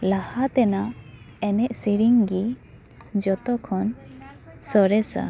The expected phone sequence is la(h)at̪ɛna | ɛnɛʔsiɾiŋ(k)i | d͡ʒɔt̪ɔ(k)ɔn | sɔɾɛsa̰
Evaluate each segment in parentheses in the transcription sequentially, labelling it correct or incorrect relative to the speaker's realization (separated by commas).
correct, incorrect, incorrect